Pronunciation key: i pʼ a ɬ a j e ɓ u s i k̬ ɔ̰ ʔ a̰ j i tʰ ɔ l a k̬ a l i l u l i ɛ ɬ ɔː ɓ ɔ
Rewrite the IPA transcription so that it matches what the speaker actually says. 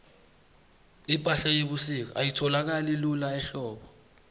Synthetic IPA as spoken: i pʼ a ɬ a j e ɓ u s i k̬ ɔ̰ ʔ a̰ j i tʰ ɔ l a k̬ a l i l u l a ɛ ɬ ɔː ɓ ɔ